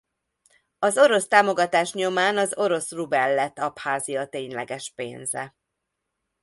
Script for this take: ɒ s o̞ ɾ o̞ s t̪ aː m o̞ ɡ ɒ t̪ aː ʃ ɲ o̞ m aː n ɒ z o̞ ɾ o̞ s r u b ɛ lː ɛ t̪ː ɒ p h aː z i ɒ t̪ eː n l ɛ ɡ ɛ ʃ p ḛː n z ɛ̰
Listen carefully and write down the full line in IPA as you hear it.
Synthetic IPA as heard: ɒ z o̞ ɾ o̞ s t̪ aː m o̞ ɡ ɒ t̪ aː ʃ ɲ o̞ m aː n ɒ z o̞ ɾ o̞ s r u b ɛ lː ɛ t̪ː ɒ p h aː z i ɒ t̪ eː ɲ l ɛ ɡ ɛ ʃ p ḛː n z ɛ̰